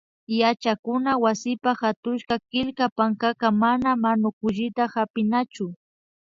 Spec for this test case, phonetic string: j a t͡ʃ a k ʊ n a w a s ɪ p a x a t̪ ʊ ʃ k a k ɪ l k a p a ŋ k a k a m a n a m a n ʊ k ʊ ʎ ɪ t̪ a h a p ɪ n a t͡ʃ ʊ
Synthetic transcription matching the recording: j a t͡ʃ a k ʊ n a w a s ɪ p a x a t̪ ʊ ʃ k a k ɪ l k a p a ŋ k a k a m a n a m a n ʊ k ʊ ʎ ɪ t̪ a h a p ɪ n a t͡ʃ ʊ